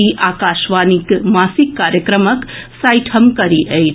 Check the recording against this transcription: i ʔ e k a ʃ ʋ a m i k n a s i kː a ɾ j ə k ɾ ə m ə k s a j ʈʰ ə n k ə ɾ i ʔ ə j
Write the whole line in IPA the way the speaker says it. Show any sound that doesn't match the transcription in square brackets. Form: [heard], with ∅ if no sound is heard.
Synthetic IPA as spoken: i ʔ [a] k a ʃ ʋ a [n] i k [m] a s i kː a ɾ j ə k ɾ ə m ə k s a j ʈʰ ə [m] k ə ɾ i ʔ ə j